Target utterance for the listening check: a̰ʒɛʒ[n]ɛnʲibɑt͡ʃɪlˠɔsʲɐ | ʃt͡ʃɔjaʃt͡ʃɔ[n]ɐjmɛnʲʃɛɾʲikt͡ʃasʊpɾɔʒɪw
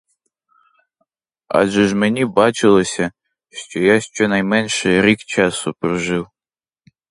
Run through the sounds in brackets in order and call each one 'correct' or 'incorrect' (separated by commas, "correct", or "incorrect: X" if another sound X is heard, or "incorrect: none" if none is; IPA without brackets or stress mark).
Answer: incorrect: m, correct